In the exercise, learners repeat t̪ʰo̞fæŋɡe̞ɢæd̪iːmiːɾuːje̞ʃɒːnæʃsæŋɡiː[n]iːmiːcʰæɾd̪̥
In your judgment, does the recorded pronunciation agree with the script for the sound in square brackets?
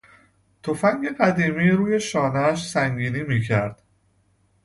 yes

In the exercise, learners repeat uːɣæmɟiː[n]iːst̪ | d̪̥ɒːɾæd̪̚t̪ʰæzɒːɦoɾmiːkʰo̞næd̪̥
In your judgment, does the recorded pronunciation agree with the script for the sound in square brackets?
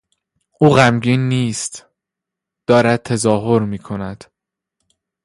no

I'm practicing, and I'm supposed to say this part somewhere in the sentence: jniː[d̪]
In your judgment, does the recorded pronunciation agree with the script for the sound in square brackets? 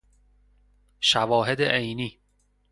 no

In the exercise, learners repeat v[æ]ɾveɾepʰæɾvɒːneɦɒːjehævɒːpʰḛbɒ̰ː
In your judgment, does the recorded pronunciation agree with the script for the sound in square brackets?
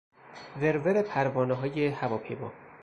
no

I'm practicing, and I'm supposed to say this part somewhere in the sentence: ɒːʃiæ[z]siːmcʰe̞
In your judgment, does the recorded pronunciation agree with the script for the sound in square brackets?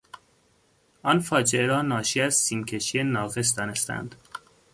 yes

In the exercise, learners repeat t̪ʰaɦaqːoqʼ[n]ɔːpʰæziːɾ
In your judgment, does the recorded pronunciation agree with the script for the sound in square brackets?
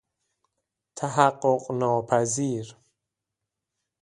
yes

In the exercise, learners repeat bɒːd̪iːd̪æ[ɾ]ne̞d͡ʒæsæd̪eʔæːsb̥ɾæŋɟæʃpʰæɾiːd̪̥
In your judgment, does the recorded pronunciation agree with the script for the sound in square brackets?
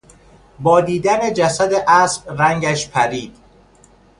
no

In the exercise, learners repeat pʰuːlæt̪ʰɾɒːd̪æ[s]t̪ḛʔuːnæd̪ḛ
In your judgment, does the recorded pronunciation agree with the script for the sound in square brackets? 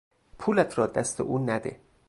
yes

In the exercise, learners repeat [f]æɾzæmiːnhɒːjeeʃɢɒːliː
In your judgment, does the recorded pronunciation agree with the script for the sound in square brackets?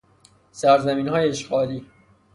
no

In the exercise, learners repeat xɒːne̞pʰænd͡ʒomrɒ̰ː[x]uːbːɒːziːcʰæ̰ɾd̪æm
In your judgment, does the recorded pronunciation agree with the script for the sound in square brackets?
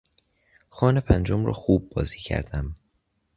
yes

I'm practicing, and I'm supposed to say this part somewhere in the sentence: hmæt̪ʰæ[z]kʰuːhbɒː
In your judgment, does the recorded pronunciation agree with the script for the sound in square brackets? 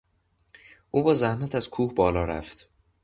yes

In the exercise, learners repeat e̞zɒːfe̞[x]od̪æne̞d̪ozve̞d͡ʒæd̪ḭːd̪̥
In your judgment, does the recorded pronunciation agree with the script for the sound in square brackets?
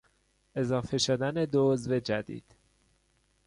no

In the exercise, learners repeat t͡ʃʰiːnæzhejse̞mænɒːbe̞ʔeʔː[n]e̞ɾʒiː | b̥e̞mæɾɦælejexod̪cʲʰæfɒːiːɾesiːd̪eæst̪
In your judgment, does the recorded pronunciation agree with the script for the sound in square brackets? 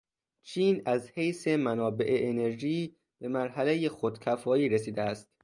yes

